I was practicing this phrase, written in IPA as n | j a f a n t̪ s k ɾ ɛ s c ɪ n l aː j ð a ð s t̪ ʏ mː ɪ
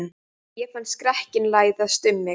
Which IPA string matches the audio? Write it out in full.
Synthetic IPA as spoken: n | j ɛ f a n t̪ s k ɾ ɛ h c ɪ n l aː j ð a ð s t̪ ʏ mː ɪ